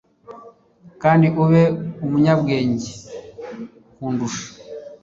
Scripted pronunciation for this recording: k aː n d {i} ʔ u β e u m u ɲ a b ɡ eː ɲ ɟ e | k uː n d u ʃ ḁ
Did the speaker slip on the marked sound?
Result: no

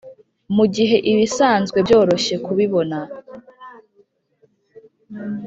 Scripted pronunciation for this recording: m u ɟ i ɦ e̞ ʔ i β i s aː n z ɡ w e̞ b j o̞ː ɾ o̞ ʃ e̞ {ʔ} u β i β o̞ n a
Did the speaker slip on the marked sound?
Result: yes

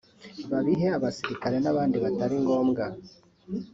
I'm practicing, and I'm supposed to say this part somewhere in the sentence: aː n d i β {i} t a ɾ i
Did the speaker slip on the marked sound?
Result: yes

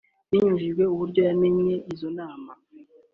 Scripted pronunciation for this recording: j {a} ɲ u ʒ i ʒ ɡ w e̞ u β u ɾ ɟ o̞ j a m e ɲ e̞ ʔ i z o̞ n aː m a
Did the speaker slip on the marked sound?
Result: yes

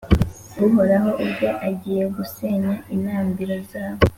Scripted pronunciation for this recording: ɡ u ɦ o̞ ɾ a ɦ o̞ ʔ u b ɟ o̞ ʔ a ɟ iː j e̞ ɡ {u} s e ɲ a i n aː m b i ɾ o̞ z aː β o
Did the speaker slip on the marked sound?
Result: no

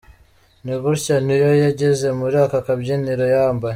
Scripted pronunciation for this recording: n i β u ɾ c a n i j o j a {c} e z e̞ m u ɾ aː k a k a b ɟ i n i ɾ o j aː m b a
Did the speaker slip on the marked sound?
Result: yes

